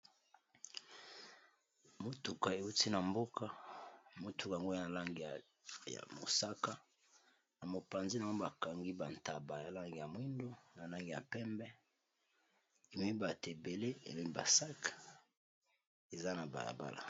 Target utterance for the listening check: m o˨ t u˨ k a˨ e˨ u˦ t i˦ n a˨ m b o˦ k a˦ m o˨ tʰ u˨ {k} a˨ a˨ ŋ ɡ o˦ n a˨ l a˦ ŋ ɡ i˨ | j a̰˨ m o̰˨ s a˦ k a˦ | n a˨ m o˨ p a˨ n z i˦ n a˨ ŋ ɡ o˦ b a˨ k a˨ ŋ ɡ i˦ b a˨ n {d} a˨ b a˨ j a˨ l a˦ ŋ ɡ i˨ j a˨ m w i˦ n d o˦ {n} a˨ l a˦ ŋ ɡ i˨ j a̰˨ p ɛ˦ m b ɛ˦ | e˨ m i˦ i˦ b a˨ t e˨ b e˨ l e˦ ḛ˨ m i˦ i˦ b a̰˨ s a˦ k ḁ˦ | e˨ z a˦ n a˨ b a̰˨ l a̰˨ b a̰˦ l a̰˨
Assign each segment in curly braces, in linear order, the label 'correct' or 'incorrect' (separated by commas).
correct, incorrect, correct